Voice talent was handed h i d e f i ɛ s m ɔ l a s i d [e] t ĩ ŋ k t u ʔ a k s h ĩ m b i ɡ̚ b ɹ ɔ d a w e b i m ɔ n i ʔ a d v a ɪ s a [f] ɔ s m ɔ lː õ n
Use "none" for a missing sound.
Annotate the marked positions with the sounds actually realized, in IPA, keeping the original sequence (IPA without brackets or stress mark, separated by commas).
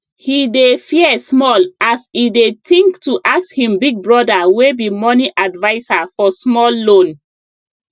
e, f